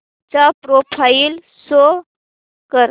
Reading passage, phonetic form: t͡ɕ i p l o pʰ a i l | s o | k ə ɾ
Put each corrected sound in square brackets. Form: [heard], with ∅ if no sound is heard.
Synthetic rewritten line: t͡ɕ [a] p [ɾ] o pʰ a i l | s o | k ə ɾ